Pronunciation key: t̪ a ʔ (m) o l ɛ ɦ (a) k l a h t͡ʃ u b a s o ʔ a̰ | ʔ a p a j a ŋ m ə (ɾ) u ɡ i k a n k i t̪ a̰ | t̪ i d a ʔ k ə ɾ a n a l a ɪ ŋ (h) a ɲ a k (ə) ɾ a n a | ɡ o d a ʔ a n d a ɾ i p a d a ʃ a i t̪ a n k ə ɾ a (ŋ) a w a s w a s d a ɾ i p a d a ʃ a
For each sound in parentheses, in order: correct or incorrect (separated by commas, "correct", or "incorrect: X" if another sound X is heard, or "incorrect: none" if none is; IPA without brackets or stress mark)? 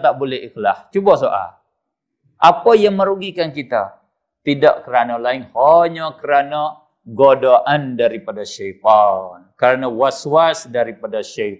incorrect: b, incorrect: i, correct, correct, correct, incorrect: n